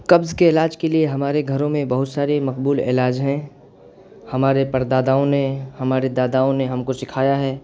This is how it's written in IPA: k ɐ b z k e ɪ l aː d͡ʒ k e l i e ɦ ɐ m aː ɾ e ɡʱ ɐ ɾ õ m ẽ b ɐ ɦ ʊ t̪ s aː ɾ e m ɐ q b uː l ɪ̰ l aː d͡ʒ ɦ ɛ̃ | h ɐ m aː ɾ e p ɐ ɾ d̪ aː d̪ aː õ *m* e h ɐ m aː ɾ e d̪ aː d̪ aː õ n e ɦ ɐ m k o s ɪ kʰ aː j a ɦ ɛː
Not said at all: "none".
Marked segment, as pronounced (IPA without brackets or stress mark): n